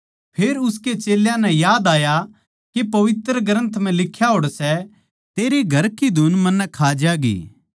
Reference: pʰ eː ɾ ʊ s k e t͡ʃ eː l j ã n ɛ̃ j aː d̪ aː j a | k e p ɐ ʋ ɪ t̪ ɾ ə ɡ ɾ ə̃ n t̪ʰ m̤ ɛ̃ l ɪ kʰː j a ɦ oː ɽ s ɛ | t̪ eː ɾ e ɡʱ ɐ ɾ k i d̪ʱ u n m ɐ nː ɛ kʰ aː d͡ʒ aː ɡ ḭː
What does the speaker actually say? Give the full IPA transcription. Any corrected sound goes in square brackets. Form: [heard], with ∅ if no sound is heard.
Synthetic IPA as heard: pʰ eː ɾ ʊ s k e t͡ʃ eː l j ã n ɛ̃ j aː d̪ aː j a | k e p ɐ ʋ ɪ t̪ ɾ ə ɡ ɾ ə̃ n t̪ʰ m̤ ɛ̃ l ɪ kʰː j a ɦ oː ɽ s ɛ | t̪ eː ɾ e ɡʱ ɐ ɾ k i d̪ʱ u n m ɐ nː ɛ kʰ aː d͡ʒ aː ɡ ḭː